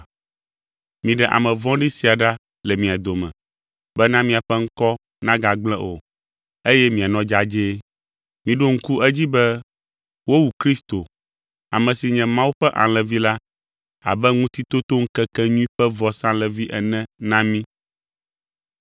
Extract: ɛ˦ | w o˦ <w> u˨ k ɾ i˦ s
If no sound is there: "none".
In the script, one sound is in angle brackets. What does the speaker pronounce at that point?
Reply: w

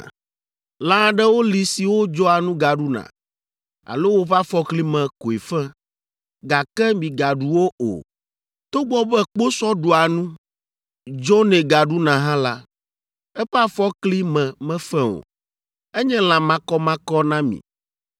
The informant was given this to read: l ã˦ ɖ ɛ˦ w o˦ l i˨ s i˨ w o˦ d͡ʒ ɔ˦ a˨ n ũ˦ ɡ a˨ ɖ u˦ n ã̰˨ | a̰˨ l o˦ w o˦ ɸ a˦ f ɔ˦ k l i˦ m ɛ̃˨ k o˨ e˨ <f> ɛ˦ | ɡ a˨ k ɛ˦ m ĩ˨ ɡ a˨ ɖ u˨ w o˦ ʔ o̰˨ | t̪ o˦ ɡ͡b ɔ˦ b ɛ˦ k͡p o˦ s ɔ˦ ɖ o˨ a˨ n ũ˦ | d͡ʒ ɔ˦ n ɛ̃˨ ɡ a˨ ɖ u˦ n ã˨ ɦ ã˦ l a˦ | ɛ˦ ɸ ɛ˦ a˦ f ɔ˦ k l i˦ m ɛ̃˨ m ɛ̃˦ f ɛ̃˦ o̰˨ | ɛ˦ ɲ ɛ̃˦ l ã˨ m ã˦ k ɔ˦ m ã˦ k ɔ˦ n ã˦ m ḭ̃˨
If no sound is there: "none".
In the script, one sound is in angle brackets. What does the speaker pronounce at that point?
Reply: f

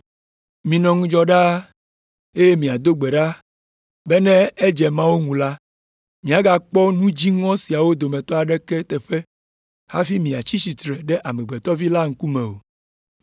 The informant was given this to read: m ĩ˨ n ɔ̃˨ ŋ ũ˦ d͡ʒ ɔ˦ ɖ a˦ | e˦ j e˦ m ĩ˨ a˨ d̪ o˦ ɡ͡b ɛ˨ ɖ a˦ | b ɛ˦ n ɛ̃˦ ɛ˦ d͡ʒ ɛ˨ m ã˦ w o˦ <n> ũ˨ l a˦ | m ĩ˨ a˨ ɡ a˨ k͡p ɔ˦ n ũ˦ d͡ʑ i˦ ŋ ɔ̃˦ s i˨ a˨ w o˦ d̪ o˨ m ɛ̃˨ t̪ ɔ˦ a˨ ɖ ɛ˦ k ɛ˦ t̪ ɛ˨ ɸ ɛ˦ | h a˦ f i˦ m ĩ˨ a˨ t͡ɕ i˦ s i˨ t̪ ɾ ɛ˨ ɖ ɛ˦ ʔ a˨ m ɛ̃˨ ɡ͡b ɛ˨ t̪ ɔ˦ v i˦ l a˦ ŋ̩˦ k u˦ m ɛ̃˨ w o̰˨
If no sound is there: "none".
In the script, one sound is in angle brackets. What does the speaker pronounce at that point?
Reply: ŋ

